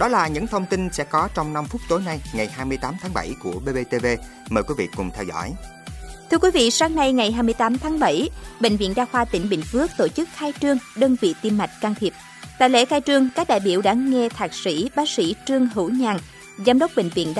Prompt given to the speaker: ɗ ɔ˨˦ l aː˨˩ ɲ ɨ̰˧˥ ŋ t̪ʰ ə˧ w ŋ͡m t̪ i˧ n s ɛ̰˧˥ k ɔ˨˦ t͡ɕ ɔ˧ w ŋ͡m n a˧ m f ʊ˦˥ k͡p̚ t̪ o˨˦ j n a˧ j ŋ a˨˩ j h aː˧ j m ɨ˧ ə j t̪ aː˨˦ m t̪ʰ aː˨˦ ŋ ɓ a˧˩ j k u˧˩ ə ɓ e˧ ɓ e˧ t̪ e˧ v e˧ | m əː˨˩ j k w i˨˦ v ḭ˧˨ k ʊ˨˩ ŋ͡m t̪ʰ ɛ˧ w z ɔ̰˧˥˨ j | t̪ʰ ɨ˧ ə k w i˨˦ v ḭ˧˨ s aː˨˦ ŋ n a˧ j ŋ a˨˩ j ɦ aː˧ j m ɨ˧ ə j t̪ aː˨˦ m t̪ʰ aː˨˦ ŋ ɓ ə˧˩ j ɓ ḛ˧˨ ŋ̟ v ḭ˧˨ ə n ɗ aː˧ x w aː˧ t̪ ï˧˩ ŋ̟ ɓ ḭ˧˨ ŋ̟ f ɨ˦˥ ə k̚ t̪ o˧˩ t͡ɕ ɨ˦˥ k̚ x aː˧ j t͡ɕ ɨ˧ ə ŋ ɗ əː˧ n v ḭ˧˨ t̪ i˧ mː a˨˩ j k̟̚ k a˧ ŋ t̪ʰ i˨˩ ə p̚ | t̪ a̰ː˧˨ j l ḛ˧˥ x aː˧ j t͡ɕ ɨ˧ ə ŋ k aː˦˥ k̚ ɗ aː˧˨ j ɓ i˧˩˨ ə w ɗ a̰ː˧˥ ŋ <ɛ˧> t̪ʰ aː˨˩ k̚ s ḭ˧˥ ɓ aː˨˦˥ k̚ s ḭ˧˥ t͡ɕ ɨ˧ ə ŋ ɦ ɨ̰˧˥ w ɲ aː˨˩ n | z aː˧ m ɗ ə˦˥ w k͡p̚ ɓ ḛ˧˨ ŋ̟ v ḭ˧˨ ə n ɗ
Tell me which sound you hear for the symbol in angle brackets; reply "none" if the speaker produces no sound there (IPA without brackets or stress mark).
ɛ˧